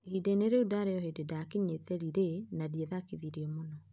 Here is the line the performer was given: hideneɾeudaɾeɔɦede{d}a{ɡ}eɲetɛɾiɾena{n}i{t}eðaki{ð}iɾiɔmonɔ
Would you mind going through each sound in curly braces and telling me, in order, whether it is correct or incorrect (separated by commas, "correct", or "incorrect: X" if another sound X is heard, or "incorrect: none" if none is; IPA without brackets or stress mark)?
correct, incorrect: k, incorrect: d, incorrect: none, correct